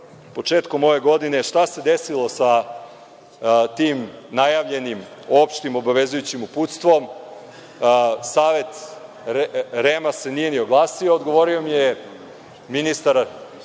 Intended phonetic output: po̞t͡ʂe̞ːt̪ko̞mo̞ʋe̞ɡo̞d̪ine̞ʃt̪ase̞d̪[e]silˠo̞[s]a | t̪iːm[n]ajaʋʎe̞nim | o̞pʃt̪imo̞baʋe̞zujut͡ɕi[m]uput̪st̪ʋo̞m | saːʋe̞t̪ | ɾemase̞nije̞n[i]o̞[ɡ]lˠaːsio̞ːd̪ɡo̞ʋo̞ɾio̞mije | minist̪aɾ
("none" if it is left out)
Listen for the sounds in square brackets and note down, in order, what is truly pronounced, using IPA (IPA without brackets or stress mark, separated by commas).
e, s, n, m, i, ɡ